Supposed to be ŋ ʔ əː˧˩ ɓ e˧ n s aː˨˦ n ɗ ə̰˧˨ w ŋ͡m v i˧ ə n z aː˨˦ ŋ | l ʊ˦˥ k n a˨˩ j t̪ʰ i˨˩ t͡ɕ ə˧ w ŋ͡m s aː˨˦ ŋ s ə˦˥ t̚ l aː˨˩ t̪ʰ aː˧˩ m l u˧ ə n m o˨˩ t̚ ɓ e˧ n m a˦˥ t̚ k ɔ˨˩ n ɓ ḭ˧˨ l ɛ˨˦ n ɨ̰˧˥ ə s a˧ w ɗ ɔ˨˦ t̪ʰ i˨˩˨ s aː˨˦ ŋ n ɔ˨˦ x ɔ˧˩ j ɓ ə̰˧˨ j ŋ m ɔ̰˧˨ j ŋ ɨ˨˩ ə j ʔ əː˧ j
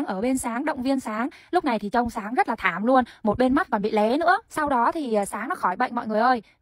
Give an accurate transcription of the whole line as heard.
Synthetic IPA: ŋ ʔ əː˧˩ ɓ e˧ n s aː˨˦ ŋ ɗ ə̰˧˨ w ŋ͡m v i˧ ə n s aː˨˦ ŋ | l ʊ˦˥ k͡p̚ n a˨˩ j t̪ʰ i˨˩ t͡ɕ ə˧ w ŋ͡m s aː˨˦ ŋ z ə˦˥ t̚ l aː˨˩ t̪ʰ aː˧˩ m l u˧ ə n m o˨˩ t̚ ɓ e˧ n m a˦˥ t̚ k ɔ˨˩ n ɓ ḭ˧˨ l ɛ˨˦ n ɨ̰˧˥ ə s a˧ w ɗ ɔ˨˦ t̪ʰ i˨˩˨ s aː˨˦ ŋ n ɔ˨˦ x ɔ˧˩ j ɓ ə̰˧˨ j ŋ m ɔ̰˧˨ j ŋ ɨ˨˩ ə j ʔ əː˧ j